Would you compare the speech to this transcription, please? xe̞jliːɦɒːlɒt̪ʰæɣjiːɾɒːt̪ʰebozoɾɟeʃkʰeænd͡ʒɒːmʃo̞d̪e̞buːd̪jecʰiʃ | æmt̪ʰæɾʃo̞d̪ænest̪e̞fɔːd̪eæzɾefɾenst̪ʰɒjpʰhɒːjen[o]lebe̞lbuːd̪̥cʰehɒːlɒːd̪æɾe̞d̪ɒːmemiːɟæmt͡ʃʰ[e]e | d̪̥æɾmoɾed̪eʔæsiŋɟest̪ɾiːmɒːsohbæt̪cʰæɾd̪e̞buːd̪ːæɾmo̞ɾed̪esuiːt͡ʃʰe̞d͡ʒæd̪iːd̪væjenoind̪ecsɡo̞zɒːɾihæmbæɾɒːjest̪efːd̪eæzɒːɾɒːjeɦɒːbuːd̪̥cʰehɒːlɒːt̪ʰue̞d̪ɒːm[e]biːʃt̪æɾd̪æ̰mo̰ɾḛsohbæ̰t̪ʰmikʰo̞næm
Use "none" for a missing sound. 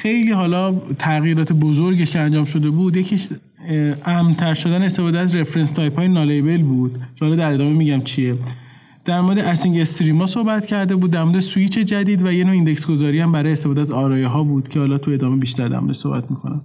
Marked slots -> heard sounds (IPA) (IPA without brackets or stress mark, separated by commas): ɒ, i, e